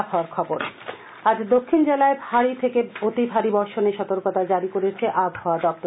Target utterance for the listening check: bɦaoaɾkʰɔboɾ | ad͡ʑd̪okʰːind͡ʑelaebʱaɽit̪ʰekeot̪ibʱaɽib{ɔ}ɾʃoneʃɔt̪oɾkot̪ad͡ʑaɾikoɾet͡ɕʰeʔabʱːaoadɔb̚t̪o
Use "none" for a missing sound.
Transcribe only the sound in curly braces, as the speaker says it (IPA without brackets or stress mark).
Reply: ɔ